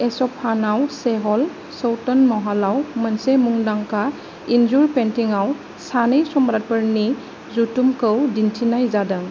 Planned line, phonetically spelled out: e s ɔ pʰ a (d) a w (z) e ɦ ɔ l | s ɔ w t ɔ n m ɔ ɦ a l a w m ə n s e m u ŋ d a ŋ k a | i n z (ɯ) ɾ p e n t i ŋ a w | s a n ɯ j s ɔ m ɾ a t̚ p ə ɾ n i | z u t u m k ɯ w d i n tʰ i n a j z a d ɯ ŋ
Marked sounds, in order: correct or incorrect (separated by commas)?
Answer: incorrect, incorrect, incorrect